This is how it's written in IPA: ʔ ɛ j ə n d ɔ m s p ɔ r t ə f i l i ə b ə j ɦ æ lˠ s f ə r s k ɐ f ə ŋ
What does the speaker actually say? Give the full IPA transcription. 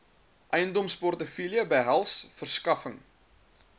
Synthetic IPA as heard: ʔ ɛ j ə n d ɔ m s p ɔ r t ə f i l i ə b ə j ɦ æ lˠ s f ə r s k ɐ f ə ŋ